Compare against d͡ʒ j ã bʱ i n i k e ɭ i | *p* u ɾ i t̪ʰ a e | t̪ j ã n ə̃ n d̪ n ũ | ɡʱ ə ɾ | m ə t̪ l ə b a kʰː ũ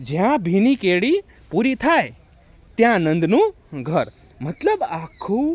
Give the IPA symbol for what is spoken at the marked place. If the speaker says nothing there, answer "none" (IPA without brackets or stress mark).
p